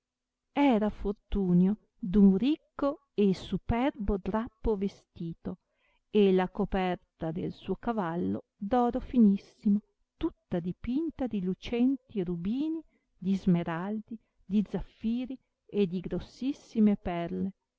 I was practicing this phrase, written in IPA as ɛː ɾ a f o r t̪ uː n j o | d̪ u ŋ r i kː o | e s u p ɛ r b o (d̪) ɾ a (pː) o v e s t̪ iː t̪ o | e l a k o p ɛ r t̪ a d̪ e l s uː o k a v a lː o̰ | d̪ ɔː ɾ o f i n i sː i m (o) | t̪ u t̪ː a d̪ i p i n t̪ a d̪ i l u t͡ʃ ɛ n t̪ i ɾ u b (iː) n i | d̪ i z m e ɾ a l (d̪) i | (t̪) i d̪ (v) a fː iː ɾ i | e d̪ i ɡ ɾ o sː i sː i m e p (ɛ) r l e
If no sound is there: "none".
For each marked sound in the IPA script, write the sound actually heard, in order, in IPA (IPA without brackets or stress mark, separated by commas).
d̪, pː, o, iː, d̪, d̪, z, ɛ